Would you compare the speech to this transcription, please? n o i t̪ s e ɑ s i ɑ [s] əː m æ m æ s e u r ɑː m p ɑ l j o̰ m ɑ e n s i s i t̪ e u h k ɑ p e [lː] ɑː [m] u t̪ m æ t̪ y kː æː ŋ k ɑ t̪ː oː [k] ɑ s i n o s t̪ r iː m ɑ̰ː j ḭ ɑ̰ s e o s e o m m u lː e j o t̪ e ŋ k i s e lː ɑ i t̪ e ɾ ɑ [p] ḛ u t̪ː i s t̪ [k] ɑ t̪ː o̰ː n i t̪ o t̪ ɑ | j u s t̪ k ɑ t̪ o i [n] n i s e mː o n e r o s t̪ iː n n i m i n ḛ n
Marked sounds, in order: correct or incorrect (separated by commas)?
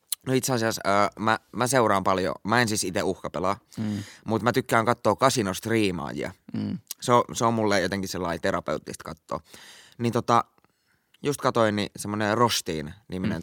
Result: correct, incorrect, correct, correct, correct, correct, correct